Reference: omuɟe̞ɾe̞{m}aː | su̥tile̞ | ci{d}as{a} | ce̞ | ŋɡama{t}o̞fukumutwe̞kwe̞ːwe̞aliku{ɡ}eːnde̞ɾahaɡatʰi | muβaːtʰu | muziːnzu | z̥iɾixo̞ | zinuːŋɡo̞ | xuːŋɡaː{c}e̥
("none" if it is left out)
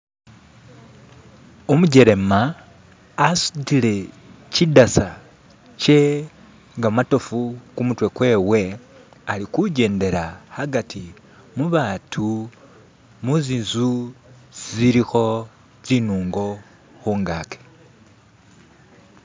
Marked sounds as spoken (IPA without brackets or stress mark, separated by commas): m, d, a, t, ɟ, k